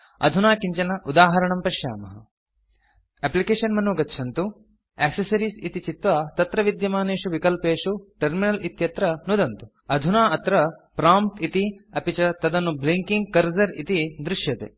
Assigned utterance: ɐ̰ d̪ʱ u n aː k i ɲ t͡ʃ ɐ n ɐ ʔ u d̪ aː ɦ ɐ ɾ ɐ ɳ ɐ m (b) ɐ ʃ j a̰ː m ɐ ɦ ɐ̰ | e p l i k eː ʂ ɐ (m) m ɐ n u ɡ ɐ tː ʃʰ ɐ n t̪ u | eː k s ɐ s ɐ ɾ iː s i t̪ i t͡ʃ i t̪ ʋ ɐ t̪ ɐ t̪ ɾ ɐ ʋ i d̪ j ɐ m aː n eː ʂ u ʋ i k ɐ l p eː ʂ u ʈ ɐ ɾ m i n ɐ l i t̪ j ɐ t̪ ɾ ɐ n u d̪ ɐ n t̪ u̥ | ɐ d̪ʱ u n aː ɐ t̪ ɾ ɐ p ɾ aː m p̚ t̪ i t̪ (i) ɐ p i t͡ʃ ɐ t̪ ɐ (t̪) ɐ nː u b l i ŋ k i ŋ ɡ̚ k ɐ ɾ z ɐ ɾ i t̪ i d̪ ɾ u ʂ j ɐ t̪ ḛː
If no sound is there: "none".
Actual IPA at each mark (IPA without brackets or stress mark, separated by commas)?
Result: p, n, i, d̪